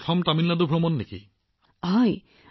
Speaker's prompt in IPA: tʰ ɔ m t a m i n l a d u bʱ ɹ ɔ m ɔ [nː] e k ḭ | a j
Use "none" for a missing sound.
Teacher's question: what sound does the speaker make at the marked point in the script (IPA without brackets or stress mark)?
nː